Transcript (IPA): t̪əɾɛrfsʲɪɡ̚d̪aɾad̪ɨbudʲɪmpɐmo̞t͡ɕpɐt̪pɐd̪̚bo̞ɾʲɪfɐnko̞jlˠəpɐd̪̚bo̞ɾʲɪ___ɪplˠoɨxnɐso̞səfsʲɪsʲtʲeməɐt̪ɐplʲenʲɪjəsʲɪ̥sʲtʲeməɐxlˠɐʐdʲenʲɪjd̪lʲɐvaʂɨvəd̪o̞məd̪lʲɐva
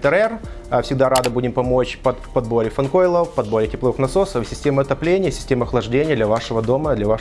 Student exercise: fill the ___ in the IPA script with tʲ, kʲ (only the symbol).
tʲ